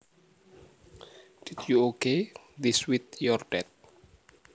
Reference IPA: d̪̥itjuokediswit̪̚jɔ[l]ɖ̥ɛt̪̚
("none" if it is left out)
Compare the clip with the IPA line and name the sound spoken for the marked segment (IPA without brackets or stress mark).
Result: r